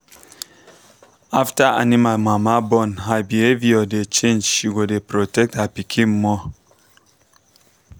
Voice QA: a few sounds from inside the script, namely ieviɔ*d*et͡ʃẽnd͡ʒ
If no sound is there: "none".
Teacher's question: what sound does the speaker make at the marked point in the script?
d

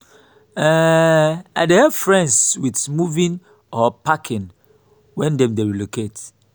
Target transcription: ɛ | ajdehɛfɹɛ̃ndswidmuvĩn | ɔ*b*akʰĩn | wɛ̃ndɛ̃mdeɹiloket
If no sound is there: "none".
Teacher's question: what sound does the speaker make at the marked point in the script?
p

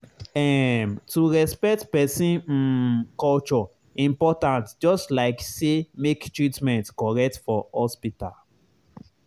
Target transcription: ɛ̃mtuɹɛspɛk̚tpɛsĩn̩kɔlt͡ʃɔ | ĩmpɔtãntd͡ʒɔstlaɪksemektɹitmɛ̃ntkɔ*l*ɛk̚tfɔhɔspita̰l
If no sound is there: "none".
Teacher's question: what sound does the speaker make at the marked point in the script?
ɹ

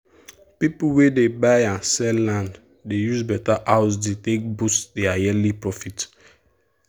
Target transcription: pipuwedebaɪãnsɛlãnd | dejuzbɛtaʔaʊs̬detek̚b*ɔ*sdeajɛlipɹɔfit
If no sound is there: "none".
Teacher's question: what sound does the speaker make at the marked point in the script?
u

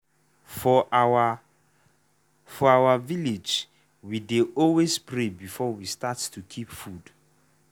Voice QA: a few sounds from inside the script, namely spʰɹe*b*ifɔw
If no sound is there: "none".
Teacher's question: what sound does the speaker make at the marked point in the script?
b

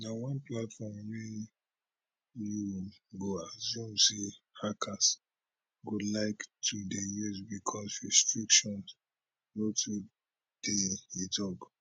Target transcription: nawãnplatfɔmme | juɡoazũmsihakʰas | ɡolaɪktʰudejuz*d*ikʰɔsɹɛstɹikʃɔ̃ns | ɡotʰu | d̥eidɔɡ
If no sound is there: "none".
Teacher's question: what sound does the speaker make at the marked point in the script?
b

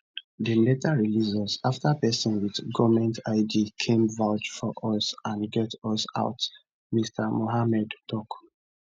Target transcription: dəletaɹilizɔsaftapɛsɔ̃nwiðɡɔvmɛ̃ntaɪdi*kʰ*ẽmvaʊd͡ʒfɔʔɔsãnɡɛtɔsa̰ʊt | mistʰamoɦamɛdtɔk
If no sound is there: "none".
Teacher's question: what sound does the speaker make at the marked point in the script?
kʰ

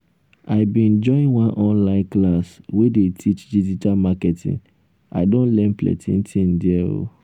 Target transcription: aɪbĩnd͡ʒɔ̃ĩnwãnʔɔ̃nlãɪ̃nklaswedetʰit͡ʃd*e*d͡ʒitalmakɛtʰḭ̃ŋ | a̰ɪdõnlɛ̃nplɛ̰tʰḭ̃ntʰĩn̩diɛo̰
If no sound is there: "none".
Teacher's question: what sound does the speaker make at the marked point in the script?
i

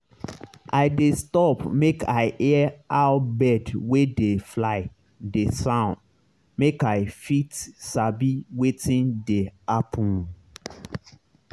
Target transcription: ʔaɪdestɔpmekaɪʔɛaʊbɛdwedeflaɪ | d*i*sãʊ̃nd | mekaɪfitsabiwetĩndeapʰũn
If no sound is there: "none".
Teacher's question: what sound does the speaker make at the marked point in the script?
e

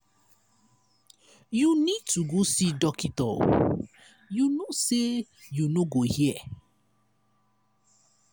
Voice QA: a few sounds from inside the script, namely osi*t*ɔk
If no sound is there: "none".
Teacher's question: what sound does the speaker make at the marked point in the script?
d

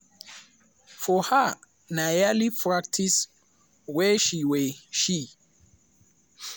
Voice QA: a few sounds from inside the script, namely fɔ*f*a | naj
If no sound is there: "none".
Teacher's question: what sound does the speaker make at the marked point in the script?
h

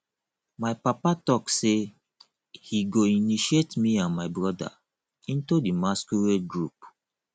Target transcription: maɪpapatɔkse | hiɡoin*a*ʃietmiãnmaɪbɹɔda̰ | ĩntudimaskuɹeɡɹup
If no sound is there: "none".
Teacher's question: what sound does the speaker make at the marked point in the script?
i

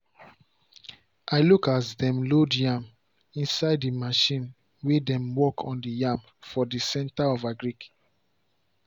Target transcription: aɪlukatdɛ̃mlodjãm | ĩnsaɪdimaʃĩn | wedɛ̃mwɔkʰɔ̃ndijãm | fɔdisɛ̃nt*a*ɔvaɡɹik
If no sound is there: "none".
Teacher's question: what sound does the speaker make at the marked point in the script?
a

